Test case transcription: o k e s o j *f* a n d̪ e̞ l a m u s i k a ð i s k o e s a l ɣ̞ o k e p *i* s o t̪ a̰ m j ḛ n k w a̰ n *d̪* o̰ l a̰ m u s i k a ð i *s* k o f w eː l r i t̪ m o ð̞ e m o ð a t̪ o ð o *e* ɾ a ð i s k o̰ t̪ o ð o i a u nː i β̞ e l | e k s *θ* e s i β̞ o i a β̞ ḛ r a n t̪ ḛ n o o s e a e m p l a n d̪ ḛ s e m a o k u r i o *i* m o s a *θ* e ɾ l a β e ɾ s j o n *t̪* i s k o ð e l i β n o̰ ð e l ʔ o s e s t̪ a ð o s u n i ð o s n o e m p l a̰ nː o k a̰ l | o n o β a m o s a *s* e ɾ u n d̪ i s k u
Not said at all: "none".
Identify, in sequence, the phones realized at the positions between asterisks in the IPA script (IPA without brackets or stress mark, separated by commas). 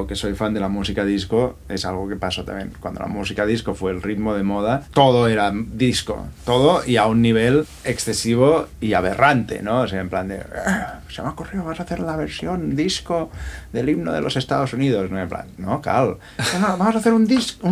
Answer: f, a, d̪, s, e, θ, a, θ, d̪, θ